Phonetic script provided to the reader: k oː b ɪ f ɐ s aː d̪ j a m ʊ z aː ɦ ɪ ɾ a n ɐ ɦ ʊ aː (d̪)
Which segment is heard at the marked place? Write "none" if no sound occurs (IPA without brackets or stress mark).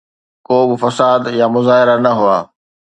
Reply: none